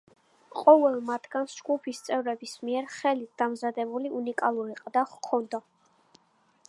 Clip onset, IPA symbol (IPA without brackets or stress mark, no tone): qʼ